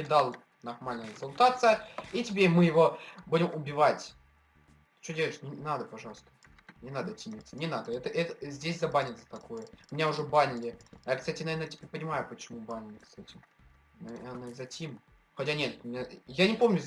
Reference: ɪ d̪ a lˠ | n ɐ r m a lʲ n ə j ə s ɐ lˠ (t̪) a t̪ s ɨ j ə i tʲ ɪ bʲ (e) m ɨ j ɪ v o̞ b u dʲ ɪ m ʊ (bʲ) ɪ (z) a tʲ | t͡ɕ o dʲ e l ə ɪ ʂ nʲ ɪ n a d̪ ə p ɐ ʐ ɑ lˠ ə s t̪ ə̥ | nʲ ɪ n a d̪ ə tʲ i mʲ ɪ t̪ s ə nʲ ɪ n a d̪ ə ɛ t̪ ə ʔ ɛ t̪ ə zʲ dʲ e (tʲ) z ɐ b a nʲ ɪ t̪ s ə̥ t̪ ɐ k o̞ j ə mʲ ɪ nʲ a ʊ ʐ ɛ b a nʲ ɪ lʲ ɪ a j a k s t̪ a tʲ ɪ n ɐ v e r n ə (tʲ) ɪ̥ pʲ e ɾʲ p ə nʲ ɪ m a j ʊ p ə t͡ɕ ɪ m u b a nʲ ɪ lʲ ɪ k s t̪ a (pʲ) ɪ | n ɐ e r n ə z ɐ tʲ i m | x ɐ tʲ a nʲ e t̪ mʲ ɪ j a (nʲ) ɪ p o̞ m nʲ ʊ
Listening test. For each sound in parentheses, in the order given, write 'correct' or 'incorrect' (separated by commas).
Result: correct, correct, correct, incorrect, incorrect, correct, incorrect, correct